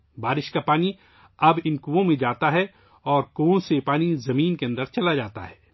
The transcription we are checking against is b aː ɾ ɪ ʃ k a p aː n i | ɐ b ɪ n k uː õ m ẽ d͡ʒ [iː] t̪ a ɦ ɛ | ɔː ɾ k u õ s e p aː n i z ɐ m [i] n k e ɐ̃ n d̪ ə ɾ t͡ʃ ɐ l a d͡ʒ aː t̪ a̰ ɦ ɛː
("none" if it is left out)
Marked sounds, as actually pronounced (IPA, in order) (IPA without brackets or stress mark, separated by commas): aː, iː